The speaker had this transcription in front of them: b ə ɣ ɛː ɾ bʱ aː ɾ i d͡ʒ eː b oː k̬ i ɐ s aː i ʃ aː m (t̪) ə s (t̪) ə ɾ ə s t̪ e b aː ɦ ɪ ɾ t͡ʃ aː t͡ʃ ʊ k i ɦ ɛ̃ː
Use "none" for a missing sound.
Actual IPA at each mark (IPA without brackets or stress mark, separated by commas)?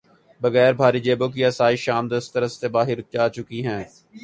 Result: d̪, t̪